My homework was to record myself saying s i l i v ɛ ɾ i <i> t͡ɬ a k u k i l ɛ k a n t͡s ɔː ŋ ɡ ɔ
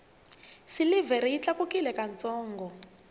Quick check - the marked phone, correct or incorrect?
correct